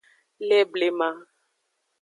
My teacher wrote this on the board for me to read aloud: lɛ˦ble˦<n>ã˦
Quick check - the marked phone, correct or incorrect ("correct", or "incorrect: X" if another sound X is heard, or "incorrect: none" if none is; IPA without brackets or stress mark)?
incorrect: m